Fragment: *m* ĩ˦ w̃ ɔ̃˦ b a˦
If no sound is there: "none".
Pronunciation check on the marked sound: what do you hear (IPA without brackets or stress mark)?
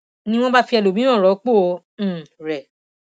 n